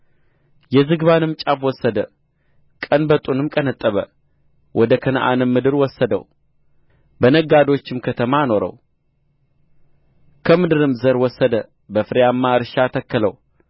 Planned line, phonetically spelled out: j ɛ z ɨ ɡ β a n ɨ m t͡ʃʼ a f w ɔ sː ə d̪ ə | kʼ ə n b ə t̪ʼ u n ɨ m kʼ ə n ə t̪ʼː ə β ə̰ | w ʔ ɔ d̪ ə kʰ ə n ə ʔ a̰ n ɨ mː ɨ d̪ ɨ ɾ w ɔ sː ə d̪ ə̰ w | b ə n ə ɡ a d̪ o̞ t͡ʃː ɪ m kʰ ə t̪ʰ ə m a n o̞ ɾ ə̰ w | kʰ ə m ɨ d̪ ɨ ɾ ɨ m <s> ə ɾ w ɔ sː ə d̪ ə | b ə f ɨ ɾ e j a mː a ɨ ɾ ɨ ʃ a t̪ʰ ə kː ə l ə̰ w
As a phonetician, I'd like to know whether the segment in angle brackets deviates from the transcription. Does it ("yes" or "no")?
yes